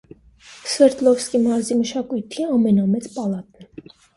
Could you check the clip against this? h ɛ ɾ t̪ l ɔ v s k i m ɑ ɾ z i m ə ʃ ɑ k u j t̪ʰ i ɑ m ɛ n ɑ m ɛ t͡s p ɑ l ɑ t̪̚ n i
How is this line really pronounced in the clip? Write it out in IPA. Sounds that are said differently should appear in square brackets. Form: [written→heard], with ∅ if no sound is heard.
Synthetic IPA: [h→s] ɛ ɾ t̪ l ɔ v s k i m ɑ ɾ z i m ə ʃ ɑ k u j t̪ʰ i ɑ m ɛ n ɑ m ɛ t͡s p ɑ l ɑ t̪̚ n [i→ɛ]